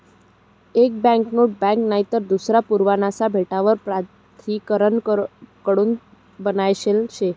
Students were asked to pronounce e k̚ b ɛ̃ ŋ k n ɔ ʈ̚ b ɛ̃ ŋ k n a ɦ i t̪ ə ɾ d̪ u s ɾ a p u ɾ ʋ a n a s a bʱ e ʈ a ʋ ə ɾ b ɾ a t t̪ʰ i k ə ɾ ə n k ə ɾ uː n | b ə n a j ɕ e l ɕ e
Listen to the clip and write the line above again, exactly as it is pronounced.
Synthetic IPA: e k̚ b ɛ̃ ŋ k n o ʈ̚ b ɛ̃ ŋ k n a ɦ i t̪ ə ɾ d̪ u s ɾ a p u ɾ ʋ a n a s a bʱ e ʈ a ʋ ə ɾ p ɾ a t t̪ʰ i k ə ɾ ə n k ə ɽ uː n | b ə n a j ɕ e l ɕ e